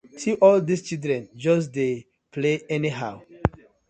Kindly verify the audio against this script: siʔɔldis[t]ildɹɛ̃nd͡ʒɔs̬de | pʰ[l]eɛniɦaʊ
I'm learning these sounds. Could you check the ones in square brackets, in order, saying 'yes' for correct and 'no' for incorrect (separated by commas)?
no, yes